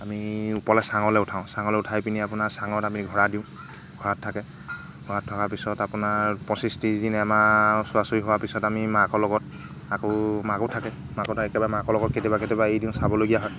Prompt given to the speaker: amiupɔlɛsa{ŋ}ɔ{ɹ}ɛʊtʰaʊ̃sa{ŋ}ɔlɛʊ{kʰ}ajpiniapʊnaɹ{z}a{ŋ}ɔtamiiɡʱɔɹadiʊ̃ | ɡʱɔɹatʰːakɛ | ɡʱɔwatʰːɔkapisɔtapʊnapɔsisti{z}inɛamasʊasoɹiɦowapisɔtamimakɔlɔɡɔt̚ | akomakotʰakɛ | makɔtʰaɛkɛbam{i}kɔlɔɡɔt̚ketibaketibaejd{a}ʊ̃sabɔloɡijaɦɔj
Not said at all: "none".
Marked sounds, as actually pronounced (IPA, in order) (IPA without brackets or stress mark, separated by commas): ŋ, l, ŋ, tʰ, s, ŋ, z, a, i